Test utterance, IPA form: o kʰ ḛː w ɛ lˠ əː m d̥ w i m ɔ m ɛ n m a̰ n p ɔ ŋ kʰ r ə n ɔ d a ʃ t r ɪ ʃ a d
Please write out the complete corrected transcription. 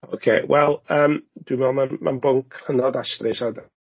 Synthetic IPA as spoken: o kʰ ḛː w ɛ lˠ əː m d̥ w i m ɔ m a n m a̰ n b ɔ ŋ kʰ r ə n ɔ d a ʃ t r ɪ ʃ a d